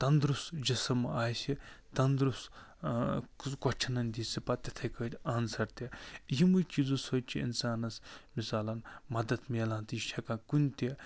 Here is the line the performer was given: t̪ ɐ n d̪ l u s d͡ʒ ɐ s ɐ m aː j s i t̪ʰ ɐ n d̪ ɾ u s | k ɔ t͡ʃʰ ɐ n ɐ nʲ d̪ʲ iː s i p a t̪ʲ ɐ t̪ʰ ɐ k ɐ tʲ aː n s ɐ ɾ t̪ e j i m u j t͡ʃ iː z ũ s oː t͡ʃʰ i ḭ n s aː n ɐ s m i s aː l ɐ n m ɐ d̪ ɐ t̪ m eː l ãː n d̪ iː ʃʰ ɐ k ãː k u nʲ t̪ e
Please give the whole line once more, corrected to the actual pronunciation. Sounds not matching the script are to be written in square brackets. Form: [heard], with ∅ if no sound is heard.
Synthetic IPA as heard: t̪ ɐ n d̪ [ɾ] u s d͡ʒ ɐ s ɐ m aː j s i [t̪] ɐ n d̪ ɾ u s | k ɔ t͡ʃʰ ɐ n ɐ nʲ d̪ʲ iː s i p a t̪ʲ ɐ t̪ʰ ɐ k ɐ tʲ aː n s ɐ ɾ t̪ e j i m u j t͡ʃ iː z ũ s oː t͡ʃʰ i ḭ n s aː n ɐ s m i s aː l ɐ n m ɐ d̪ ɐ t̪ m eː l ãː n [t̪] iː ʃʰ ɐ k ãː k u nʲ t̪ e